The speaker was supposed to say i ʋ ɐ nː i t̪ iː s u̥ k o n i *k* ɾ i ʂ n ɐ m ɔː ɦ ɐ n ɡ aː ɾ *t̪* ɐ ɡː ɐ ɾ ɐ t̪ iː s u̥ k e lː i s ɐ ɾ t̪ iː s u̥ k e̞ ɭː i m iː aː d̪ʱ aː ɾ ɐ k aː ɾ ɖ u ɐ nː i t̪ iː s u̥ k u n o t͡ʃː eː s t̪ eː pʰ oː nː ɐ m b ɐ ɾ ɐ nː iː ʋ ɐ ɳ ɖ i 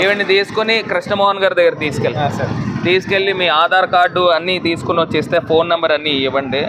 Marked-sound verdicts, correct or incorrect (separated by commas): correct, incorrect